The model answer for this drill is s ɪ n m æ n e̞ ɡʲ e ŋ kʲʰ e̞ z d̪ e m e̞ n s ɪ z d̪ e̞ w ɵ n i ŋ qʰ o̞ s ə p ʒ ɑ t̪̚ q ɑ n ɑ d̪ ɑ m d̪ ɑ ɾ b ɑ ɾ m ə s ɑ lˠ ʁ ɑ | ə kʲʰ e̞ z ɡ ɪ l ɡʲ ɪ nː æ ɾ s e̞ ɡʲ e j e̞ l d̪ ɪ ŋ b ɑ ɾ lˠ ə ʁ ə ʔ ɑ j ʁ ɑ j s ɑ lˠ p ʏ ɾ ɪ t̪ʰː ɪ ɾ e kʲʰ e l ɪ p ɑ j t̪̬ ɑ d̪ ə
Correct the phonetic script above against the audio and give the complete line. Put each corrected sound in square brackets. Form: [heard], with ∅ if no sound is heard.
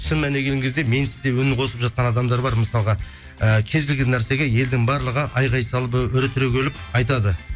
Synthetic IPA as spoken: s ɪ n m æ n e̞ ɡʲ e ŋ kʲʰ e̞ z d̪ e m e̞ n s ɪ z d̪ e̞ w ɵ n [ɪ] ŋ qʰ o̞ s ə p ʒ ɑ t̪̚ q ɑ n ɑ d̪ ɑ m d̪ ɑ ɾ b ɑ ɾ m ə s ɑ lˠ ʁ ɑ | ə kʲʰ e̞ z ɡ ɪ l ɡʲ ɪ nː æ ɾ s e̞ ɡʲ e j e̞ l d̪ ɪ ŋ b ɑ ɾ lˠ ə ʁ ə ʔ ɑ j ʁ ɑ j s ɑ lˠ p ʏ ɾ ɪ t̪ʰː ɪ ɾ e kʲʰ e l ɪ p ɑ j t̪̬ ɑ d̪ ə

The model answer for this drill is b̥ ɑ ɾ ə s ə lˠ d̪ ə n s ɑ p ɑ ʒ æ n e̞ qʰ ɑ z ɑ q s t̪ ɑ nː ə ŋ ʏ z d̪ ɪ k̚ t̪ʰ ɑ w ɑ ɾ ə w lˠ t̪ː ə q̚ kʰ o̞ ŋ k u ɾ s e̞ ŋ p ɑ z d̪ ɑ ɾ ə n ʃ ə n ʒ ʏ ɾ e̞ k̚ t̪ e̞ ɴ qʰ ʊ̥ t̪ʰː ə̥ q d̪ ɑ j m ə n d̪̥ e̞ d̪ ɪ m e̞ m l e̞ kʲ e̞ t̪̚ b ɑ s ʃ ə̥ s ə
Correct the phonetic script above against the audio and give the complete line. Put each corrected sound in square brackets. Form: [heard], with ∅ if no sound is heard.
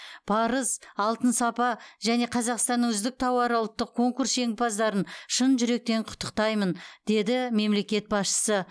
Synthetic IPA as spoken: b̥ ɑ ɾ ə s [ɑ] lˠ [t̪] ə n s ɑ p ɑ ʒ æ n e̞ qʰ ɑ z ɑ q s t̪ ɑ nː ə ŋ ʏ z d̪ ɪ k̚ t̪ʰ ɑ w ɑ ɾ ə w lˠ t̪ː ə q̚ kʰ o̞ ŋ k u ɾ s e̞ ŋ p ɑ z d̪ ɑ ɾ ə n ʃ ə n ʒ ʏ ɾ e̞ k̚ t̪ e̞ ɴ qʰ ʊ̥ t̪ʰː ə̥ q [t̪] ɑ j m ə n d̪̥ e̞ d̪ ɪ m e̞ m l e̞ kʲ e̞ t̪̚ b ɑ s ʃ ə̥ s ə

